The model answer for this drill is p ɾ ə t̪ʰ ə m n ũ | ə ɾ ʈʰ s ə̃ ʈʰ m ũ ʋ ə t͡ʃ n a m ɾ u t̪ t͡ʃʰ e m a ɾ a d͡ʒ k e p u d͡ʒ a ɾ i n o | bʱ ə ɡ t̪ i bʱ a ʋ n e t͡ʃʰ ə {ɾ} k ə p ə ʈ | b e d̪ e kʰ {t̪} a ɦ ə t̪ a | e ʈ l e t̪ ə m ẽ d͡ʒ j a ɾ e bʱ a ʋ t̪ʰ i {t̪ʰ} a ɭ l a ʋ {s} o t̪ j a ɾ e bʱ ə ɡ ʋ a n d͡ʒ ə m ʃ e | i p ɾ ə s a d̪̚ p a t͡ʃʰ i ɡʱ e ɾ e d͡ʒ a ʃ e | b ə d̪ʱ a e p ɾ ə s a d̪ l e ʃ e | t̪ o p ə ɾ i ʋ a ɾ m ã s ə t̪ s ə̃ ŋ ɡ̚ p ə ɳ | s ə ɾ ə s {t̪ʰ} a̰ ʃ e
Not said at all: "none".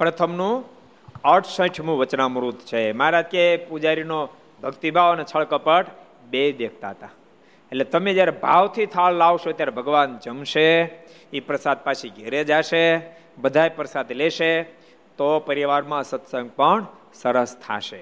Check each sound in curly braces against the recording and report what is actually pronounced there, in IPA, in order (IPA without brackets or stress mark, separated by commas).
ɭ, t̪, t̪ʰ, ʃ, t̪ʰ